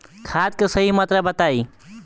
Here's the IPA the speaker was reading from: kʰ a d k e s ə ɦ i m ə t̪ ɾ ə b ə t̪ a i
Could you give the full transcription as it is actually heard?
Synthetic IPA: kʰ a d k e s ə ɦ i m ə t̪ ɾ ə b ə t̪ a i

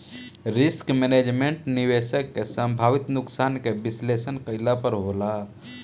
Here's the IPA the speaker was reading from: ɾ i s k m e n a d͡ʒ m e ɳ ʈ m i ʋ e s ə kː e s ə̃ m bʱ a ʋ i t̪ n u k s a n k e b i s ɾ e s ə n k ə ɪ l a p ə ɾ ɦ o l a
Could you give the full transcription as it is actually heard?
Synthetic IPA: ɾ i s k m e n e d͡ʒ m e ɳ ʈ n i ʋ e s ə kː e s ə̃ m bʱ a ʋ i t̪ n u k s a n k e b i s l e s ə n k ə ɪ l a p ə ɾ ɦ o l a

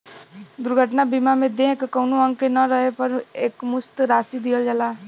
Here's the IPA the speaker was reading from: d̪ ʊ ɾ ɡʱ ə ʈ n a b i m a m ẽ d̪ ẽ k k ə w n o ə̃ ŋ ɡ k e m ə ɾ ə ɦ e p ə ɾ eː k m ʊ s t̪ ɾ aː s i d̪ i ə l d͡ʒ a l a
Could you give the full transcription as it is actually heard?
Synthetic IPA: d̪ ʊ ɾ ɡʱ ə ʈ n a b i m a m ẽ d̪ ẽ k k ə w n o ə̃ ŋ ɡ k e n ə ɾ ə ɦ e p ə ɾ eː k m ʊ s t̪ ɾ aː s i d̪ i ə l d͡ʒ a l a

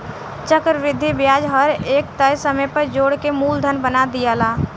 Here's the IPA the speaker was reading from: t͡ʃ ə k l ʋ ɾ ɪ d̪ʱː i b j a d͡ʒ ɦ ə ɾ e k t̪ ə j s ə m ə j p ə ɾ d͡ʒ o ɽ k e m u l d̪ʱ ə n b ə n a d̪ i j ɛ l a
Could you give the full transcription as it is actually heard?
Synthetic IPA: t͡ʃ ə k ɾ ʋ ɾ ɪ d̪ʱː i b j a d͡ʒ ɦ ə ɾ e k t̪ ə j s ə m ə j p ə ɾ d͡ʒ o ɽ k e m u l d̪ʱ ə n b ə n a d̪ i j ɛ l a

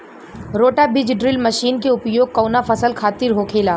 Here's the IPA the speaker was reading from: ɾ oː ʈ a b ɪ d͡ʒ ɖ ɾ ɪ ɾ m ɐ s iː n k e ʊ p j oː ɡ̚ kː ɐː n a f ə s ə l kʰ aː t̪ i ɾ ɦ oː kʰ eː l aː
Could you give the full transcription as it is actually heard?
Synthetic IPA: ɾ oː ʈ a b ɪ d͡ʒ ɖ ɾ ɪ l m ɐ ʃ iː n k e ʊ p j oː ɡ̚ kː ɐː n a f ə s ə l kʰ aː t̪ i ɾ ɦ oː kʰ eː l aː

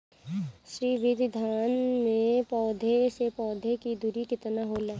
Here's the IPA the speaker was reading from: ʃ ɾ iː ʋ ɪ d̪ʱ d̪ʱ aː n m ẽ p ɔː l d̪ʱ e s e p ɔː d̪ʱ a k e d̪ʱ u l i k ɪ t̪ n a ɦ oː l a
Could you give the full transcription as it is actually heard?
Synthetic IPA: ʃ ɾ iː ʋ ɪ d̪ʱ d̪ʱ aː n m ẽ p ɔː d̪ʱ e s e p ɔː d̪ʱ e k i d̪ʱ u ɾ i k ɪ t̪ n a ɦ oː l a

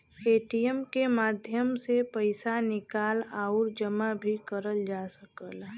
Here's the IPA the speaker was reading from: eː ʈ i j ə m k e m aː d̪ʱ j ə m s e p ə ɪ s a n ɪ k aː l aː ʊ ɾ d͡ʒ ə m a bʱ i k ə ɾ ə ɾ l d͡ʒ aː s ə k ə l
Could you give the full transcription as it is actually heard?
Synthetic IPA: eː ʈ i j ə m k e m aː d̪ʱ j ə m s e p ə ɪ s a n ɪ k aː l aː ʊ ɾ d͡ʒ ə m a bʱ i k ə ɾ ə l d͡ʒ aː s ə k ə l

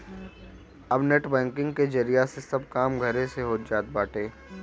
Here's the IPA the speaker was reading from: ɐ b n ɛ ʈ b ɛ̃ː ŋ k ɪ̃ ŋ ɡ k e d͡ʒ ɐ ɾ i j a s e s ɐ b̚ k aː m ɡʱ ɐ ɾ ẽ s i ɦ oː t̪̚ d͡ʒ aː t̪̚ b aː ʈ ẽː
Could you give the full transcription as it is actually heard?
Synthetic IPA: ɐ b n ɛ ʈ b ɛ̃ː ŋ k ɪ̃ ŋ ɡ k e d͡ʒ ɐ ɾ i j a s e s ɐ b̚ k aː m ɡʱ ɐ ɾ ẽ s e ɦ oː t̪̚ d͡ʒ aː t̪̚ b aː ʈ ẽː

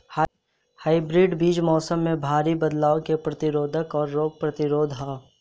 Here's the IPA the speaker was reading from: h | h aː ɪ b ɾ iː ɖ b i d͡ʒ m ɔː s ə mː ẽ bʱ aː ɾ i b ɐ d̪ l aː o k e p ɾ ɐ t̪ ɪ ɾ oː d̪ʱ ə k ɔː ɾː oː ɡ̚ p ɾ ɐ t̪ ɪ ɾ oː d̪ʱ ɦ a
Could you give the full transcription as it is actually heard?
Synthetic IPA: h | h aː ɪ b ɾ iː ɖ b iː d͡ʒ m ɔː s ə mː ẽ bʱ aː ɾ i b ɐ d̪ l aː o k e p ɾ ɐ t̪ ɪ ɾ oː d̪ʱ ə k ɔː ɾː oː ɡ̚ p ɾ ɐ t̪ ɪ ɾ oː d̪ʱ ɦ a

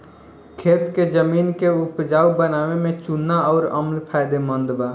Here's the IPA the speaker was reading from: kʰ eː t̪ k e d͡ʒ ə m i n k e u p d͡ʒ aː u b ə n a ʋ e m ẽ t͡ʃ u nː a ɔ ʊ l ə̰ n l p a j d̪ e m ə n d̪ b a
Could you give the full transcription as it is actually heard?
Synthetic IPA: kʰ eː t̪ k e d͡ʒ ə m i n k e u p d͡ʒ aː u b ə n a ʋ e m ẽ t͡ʃ u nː a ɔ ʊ ɾ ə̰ m l pʰ a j d̪ e m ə n d̪ b a

